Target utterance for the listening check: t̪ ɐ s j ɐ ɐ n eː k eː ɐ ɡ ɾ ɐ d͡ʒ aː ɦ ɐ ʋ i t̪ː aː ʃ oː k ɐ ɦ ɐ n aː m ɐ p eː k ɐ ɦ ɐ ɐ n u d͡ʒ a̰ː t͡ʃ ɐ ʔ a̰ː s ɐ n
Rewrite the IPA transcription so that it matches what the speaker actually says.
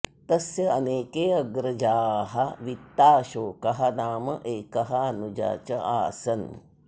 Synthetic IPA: t̪ ɐ s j ɐ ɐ n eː k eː ɐ ɡ ɾ ɐ d͡ʒ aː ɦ ɐ ʋ i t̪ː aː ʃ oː k ɐ ɦ ɐ n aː m ɐ ʔ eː k ɐ ɦ ɐ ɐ n u d͡ʒ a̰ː t͡ʃ ɐ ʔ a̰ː s ɐ n